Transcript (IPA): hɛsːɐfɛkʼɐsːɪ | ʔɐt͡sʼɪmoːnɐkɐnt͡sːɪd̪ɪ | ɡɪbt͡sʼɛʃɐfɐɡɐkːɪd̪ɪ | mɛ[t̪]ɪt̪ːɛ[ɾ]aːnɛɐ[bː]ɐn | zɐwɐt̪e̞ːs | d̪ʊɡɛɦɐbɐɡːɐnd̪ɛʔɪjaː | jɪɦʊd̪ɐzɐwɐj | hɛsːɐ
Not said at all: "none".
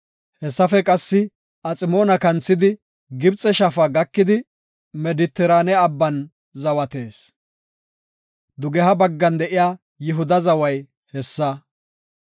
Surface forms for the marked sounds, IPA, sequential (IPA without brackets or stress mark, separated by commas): d̪, ɾ, bː